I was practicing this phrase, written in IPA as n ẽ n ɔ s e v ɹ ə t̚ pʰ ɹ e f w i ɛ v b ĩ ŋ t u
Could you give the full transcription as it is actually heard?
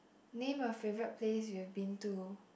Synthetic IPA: n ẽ m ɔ f e v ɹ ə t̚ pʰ l e s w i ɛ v b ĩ n t u